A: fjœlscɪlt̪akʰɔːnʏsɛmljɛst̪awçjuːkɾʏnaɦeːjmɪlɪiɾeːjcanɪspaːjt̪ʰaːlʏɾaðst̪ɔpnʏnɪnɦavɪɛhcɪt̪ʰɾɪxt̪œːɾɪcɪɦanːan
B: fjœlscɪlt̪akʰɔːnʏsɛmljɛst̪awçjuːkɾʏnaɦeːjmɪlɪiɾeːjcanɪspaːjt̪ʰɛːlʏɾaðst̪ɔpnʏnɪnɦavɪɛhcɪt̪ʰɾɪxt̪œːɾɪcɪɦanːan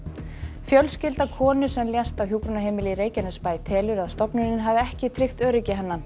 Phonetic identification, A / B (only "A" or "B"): B